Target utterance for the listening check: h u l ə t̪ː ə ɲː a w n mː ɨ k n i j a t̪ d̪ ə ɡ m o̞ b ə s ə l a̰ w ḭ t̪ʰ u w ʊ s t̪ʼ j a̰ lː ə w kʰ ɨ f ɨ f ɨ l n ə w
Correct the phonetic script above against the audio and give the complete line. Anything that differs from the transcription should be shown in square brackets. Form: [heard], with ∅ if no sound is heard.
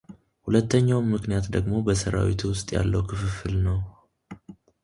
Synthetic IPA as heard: h u l ə t̪ː ə ɲː a w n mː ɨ k n i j a t̪ d̪ ə ɡ m o̞ b ə s ə [ɾ] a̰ w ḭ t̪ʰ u w ʊ s t̪ʼ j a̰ lː ə w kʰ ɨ f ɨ f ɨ l n ə w